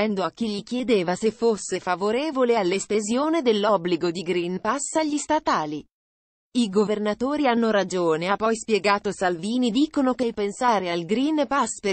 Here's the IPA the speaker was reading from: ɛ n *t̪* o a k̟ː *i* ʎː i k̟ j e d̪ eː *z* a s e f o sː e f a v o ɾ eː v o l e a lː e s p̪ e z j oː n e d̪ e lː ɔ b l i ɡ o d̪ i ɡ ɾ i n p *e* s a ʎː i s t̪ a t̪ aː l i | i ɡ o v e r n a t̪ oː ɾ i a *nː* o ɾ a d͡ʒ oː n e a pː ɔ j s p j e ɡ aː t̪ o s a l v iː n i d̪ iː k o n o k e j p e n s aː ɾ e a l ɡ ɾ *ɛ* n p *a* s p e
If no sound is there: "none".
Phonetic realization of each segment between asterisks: d̪, i, v, a, nː, i, a

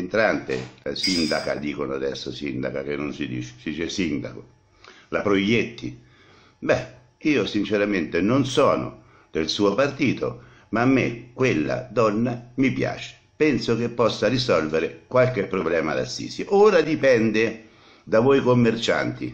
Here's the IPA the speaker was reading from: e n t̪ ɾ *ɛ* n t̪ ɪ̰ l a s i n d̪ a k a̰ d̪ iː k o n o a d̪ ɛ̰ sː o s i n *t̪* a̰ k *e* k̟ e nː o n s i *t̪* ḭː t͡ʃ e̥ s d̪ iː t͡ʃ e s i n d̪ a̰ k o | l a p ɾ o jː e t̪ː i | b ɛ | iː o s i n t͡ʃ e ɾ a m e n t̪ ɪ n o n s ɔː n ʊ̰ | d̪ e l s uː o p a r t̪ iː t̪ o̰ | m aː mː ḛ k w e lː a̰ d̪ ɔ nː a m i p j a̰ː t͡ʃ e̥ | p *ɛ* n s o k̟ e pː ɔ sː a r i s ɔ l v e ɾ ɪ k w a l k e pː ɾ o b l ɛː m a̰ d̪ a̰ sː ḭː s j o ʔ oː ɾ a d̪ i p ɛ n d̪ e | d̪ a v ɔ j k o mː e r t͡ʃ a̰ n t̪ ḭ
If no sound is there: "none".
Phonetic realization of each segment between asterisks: a, d̪, a, d̪, ɛ

